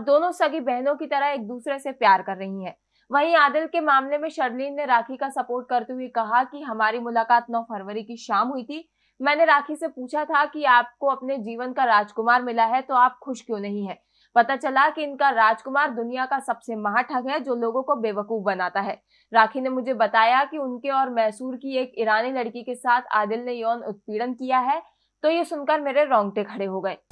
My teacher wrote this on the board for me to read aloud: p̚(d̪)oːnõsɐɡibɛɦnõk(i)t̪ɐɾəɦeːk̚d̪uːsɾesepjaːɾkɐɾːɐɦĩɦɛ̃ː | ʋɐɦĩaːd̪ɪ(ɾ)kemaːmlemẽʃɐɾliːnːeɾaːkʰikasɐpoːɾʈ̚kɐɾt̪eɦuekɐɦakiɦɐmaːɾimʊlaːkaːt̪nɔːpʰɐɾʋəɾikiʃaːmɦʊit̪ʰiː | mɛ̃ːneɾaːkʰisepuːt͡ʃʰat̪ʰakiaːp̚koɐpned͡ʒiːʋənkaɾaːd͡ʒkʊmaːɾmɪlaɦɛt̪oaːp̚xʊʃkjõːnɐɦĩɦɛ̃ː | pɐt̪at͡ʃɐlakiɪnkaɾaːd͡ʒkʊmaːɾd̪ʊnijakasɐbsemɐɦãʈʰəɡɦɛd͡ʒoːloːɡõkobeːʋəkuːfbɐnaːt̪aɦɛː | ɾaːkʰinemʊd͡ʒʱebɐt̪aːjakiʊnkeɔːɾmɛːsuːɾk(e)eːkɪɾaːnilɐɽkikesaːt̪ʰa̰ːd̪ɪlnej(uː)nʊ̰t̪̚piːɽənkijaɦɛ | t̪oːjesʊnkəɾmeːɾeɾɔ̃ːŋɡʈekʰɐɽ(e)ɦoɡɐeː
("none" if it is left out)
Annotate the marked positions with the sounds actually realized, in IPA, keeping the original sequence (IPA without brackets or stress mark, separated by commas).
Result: d̪, i, l, i, ɔː, e